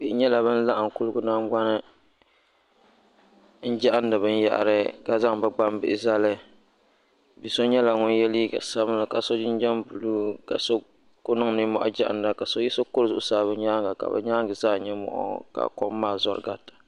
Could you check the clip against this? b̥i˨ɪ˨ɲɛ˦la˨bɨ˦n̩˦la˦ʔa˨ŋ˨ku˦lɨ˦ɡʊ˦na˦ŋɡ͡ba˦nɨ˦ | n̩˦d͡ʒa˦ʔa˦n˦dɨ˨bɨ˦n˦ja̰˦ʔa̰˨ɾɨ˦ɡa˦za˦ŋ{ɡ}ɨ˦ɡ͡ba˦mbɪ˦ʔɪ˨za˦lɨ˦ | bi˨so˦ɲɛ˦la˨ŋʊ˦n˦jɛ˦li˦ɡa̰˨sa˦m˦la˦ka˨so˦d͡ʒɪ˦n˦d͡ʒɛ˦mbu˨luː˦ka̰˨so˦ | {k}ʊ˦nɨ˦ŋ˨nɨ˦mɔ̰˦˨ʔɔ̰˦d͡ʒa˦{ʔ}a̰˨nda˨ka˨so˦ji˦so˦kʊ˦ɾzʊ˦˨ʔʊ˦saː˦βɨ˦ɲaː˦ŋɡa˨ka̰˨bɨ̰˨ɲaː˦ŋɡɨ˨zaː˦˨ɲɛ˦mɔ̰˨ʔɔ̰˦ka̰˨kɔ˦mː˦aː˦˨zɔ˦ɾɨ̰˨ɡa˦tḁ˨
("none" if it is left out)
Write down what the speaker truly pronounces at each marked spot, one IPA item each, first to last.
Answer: b, k, ʔ

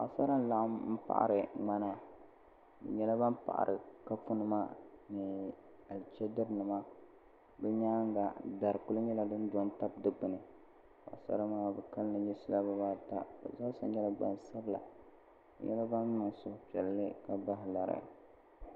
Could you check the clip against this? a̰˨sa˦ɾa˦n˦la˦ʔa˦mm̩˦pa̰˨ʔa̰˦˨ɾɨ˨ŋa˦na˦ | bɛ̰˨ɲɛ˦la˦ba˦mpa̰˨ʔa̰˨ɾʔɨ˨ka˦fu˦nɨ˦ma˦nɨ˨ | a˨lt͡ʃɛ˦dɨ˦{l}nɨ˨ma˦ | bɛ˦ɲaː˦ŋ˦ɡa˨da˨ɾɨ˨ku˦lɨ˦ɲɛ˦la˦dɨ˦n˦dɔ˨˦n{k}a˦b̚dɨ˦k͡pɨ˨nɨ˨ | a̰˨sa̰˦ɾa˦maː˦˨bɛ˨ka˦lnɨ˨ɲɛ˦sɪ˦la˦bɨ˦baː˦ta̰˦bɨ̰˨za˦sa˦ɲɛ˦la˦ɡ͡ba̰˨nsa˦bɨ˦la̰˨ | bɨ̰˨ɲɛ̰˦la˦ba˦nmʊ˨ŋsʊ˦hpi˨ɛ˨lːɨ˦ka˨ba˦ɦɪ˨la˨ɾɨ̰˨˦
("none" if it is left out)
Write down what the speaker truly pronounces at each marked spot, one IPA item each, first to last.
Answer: ɾ, t

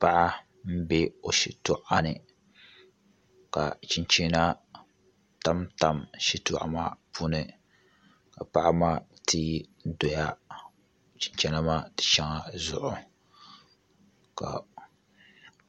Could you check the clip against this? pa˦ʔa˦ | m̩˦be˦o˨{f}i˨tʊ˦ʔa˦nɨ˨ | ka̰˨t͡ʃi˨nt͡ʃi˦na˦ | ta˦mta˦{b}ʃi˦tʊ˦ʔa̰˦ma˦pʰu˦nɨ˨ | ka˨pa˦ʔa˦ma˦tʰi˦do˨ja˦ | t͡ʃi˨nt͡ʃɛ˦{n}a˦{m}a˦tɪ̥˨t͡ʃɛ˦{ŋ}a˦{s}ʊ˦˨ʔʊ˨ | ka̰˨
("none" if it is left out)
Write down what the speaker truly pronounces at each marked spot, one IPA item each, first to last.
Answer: ʃ, m, n, m, ŋ, z

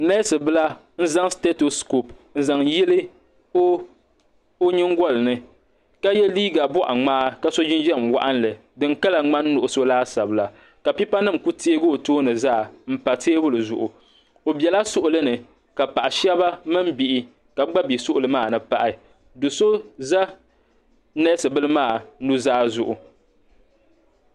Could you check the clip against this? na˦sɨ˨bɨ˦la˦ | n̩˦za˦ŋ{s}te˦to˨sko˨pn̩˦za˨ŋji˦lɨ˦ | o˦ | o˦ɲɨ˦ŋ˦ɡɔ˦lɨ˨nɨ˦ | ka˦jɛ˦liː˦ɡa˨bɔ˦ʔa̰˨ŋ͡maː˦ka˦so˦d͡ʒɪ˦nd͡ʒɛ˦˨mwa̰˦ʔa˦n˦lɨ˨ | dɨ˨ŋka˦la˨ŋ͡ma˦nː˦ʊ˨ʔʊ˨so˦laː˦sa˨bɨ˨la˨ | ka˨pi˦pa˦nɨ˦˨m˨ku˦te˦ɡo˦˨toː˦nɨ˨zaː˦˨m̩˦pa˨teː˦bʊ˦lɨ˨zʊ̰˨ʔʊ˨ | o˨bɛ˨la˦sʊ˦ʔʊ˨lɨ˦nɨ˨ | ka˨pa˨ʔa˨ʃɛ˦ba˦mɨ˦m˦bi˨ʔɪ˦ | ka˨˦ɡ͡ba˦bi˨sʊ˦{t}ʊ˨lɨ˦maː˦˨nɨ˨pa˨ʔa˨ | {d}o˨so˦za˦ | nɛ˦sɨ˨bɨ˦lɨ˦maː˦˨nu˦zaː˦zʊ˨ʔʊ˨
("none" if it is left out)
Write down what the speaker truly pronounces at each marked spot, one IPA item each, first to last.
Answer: s, ʔ, d

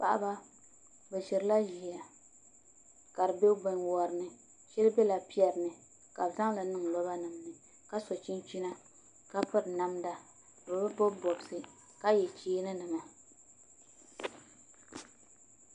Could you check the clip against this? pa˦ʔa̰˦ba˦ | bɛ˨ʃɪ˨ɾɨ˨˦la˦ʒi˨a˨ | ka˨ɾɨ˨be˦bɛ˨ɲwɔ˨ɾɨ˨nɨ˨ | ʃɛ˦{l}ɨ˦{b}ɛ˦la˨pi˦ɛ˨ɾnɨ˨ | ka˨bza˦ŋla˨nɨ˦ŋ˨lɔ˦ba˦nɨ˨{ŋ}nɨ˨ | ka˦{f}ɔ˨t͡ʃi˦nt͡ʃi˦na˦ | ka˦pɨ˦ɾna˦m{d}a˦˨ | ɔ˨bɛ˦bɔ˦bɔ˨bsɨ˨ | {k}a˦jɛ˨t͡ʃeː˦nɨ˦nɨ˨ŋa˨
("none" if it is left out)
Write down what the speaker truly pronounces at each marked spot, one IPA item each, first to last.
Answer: l, b, m, s, d, k

